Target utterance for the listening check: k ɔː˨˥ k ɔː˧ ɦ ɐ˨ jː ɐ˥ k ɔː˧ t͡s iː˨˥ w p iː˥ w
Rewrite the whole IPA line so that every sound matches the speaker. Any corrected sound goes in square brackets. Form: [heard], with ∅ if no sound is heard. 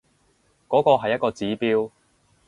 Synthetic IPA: k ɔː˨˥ k ɔː˧ ɦ ɐ˨ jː ɐ˥ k ɔː˧ t͡s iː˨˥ [∅] p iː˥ w